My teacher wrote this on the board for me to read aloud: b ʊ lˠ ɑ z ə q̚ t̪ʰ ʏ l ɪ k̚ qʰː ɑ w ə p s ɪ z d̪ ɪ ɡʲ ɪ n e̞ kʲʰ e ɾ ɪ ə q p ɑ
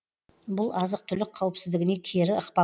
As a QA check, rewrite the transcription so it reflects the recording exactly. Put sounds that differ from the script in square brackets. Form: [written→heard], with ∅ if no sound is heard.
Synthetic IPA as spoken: b ʊ lˠ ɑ z ə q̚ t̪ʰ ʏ l ɪ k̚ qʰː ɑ w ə p s ɪ z d̪ ɪ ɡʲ ɪ n e̞ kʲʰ e ɾ ɪ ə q p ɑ

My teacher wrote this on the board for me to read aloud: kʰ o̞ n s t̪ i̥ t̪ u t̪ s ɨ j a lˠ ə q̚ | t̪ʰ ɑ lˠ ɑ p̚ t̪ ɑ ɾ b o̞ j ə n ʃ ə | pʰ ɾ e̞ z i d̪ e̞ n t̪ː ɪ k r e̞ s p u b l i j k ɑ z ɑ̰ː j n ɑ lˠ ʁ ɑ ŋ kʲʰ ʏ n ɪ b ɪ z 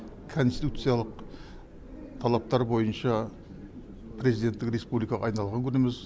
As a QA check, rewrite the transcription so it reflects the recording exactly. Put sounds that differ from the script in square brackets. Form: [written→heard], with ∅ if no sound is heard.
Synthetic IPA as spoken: kʰ o̞ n s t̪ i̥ t̪ u t̪ s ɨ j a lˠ ə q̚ | t̪ʰ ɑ lˠ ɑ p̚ t̪ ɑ ɾ b o̞ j ə n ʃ [ə→ɑ] | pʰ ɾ e̞ z i d̪ e̞ n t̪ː ɪ k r e̞ s p u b l i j k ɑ [z→ʁ] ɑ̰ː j n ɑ lˠ ʁ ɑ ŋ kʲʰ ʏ n ɪ [b→m] ɪ z

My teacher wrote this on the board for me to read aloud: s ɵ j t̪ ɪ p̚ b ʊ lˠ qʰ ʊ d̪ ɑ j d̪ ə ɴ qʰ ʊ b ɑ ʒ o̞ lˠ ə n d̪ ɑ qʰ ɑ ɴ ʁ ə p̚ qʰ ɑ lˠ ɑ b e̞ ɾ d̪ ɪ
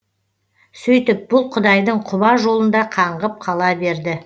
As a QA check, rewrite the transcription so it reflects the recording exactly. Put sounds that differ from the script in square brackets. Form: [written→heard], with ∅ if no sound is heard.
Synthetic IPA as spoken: s ɵ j t̪ ɪ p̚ b ʊ lˠ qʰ ʊ d̪ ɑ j d̪ ə ɴ qʰ ʊ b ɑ ʒ o̞ lˠ ə n d̪ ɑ qʰ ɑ ɴ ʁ ə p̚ qʰ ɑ lˠ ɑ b e̞ ɾ d̪ ɪ

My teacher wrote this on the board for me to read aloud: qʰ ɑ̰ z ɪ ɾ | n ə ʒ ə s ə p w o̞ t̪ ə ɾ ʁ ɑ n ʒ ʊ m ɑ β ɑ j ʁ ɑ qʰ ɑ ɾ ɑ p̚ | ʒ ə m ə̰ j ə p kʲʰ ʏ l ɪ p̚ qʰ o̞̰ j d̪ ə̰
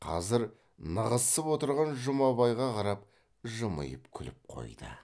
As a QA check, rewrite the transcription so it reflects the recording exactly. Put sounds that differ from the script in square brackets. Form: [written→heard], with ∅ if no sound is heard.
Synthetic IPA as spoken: qʰ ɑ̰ z ɪ ɾ | n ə [ʒ→ʁ] ə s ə p w o̞ t̪ ə ɾ ʁ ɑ n ʒ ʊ m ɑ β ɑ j ʁ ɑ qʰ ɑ ɾ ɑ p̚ | ʒ ə m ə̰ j ə p kʲʰ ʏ l ɪ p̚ qʰ o̞̰ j d̪ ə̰

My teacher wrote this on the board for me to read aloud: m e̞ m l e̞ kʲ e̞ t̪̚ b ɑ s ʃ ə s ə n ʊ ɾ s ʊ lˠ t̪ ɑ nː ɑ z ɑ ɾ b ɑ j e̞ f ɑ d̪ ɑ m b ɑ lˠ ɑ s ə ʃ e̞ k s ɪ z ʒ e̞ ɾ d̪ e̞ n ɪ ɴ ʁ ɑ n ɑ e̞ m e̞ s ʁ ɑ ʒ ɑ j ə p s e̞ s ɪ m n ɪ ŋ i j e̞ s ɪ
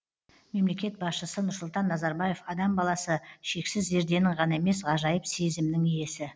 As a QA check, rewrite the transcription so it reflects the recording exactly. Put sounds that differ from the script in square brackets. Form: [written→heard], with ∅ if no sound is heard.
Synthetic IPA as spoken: m e̞ m l e̞ kʲ e̞ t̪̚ b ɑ s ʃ ə s ə n ʊ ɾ s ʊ lˠ t̪ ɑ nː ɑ z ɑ ɾ b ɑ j e̞ f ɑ d̪ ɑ m b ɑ lˠ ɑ s ə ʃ e̞ k s ɪ z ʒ e̞ ɾ d̪ e̞ n ɪ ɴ ʁ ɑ n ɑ e̞ m e̞ s ʁ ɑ ʒ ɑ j ə p s e̞ [s→z] ɪ m n ɪ ŋ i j e̞ s ɪ

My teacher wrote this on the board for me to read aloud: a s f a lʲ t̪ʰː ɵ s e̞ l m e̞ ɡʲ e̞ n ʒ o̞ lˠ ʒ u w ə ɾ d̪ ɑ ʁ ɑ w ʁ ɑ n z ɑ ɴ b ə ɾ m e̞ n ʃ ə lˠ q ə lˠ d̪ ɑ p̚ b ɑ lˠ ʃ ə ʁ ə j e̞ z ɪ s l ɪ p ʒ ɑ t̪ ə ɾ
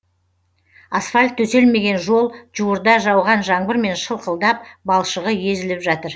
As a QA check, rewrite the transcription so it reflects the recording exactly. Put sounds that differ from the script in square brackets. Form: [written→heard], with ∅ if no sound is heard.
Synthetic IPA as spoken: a s f a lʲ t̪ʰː ɵ s e̞ l m e̞ ɡʲ e̞ n ʒ o̞ lˠ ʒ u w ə ɾ d̪ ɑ [ʁ→ʒ] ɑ w ʁ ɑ n [z→ʒ] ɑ ɴ b ə ɾ m e̞ n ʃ ə lˠ q ə lˠ d̪ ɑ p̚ b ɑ lˠ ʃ ə ʁ ə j e̞ z ɪ [s→∅] l ɪ p ʒ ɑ t̪ ə ɾ

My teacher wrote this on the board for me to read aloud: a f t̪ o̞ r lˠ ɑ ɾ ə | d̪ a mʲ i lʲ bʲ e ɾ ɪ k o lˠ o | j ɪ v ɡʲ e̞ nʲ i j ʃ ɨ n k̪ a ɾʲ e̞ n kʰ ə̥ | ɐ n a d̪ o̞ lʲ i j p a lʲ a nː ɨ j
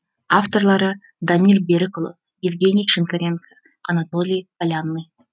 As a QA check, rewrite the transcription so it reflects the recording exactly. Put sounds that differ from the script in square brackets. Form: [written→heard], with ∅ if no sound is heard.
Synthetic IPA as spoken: a f t̪ o̞ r lˠ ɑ ɾ ə | d̪ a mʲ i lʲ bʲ e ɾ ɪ k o lˠ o | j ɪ v ɡʲ e̞ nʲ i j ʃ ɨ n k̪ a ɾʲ e̞ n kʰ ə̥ | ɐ n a [d̪→t̪] o̞ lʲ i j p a lʲ a nː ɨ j

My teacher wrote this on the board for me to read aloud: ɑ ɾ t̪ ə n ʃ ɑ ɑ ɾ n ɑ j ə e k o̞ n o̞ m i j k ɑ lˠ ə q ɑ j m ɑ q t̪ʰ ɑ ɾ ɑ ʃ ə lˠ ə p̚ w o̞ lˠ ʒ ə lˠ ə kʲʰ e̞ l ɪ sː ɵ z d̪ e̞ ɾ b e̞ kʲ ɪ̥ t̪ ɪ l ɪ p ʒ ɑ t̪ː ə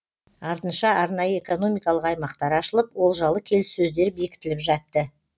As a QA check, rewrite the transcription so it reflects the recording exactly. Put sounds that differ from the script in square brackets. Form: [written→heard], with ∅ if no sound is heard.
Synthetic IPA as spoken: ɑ ɾ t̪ ə n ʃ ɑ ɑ ɾ n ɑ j ə e k o̞ n o̞ m i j k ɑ lˠ ə q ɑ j m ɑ q [t̪ʰ→t̪] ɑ ɾ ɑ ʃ ə lˠ ə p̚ w o̞ lˠ ʒ [ə→ɑ] lˠ ə kʲʰ e̞ l ɪ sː ɵ z d̪ e̞ ɾ b e̞ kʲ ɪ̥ t̪ ɪ l ɪ p ʒ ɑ t̪ː ə

